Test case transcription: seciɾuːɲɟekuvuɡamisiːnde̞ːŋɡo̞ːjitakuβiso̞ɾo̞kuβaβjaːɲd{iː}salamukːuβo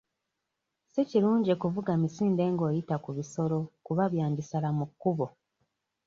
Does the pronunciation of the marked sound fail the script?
yes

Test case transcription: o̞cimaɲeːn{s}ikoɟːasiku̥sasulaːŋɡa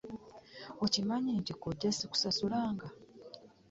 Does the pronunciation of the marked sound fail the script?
yes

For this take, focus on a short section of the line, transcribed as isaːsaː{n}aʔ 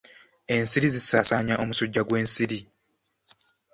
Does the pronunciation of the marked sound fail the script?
yes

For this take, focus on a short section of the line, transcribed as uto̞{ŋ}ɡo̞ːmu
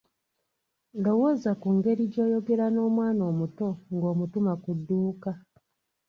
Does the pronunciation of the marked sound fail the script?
no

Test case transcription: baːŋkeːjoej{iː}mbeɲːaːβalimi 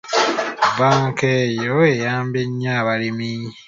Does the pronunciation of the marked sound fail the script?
yes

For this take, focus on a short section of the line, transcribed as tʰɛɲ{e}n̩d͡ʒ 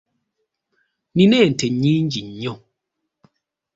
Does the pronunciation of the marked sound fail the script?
yes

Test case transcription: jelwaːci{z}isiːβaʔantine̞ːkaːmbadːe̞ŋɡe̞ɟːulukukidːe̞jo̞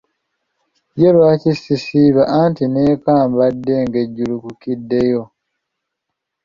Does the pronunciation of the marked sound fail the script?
yes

